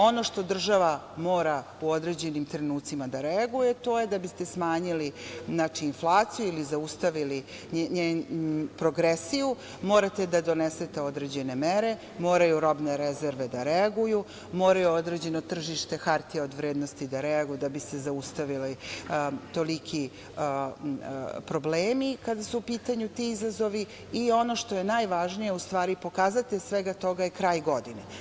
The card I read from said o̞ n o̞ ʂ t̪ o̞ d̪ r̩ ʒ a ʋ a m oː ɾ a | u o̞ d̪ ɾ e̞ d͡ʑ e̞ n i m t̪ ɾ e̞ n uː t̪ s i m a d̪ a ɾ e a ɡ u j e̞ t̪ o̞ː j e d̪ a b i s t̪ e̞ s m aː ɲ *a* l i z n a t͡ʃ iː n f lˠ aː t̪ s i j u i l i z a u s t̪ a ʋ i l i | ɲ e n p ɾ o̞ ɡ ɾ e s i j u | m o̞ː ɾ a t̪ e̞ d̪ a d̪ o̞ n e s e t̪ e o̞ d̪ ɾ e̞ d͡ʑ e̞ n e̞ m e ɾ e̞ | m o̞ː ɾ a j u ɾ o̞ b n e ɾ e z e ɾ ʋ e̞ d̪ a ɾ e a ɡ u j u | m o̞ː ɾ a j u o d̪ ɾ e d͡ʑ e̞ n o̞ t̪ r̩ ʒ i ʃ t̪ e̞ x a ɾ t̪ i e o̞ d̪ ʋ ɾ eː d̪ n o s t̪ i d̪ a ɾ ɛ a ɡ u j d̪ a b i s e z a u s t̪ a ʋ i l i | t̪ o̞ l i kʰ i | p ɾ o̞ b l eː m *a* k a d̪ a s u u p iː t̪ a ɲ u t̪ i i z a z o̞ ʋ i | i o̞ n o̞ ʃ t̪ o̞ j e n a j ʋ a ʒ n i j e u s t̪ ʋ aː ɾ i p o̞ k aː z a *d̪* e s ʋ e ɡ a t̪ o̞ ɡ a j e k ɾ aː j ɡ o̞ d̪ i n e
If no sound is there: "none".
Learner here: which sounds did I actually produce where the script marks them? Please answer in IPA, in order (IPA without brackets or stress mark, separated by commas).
i, i, t̪